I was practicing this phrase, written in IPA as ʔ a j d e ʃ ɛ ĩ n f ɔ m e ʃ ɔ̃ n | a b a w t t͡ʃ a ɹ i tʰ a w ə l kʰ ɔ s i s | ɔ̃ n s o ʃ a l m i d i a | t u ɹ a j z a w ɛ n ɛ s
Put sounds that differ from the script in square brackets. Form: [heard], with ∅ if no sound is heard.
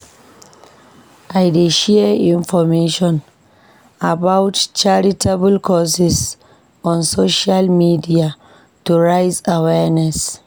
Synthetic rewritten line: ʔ a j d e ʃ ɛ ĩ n f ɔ m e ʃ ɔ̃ n | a b a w t t͡ʃ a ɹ i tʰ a [b] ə l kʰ ɔ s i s | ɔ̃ n s o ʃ a l m i d i a | t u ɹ a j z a w ɛ n ɛ s